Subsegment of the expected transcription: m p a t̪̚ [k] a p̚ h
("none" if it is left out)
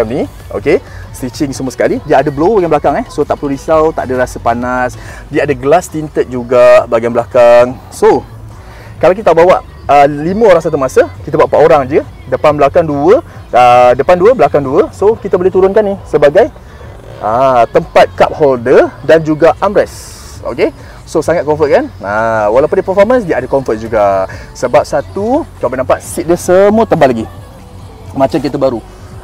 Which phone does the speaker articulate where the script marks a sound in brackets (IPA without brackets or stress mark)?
k